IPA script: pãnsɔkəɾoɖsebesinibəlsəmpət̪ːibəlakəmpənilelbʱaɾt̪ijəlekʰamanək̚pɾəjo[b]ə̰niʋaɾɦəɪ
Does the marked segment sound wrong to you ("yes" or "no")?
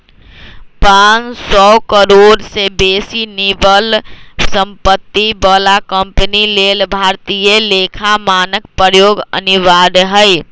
yes